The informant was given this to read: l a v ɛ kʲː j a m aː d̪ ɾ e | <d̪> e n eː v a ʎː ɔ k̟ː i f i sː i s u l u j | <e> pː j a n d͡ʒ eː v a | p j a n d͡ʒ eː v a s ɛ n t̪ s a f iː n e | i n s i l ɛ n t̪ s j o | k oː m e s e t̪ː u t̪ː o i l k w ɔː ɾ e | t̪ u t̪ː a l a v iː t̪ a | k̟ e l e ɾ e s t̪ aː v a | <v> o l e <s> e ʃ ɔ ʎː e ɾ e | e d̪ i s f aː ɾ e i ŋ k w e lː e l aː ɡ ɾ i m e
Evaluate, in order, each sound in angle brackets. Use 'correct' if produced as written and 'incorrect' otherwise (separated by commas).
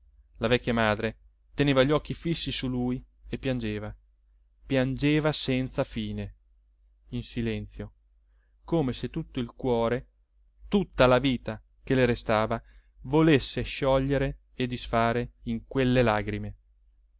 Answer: incorrect, correct, correct, incorrect